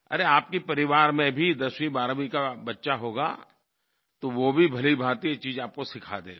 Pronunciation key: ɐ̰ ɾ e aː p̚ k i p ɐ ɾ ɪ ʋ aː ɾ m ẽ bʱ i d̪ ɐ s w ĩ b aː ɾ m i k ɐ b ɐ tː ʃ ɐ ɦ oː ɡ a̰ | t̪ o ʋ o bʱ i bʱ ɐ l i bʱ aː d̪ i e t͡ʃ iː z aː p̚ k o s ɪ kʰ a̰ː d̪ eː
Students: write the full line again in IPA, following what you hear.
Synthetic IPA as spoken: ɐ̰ ɾ e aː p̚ k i p ɐ ɾ ɪ ʋ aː ɾ m ẽ bʱ i d̪ ɐ s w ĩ b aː ɾ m i k a b ɐ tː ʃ a ɦ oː ɡ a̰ | t̪ o ʋ o bʱ i bʱ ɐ l i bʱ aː t̪ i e t͡ʃ iː z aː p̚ k o s ɪ kʰ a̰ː d̪ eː